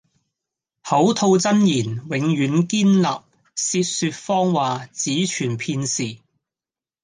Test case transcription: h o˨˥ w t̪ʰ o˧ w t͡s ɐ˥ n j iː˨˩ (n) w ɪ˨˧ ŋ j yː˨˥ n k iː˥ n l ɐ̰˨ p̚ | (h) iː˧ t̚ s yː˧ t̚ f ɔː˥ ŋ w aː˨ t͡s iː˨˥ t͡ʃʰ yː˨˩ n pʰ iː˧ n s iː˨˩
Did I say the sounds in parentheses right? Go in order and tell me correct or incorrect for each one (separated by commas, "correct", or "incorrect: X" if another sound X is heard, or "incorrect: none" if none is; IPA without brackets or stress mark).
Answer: correct, incorrect: s